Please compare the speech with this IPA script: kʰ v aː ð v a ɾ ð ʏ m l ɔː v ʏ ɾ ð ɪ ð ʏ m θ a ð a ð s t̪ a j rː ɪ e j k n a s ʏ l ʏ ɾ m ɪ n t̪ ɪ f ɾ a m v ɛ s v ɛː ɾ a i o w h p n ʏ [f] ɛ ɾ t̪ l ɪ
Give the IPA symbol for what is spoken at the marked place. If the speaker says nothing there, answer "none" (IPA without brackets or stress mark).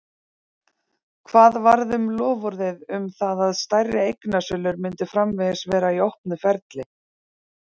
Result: f